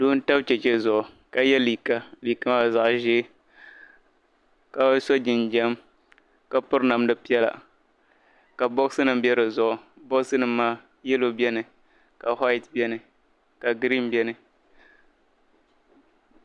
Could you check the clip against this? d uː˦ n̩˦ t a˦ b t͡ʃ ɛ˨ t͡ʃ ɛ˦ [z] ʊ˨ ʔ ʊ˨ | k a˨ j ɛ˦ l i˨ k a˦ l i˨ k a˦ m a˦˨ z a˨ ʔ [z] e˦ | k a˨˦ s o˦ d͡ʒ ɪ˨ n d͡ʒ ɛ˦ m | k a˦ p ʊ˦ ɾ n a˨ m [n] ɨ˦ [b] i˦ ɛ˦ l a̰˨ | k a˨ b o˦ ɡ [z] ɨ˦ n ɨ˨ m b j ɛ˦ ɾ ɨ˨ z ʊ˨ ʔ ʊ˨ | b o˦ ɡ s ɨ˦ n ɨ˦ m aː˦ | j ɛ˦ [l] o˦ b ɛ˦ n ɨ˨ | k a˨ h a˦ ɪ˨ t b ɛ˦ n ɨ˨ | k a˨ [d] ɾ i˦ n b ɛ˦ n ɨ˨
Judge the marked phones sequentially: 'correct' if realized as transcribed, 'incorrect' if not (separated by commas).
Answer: correct, incorrect, incorrect, incorrect, incorrect, correct, incorrect